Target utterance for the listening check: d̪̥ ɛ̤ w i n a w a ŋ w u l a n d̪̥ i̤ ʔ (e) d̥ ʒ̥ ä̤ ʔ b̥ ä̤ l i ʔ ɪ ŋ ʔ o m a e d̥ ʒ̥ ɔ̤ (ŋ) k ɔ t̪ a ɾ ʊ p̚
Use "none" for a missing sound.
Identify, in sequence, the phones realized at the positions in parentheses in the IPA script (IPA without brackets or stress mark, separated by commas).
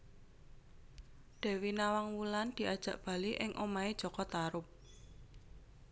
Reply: a, none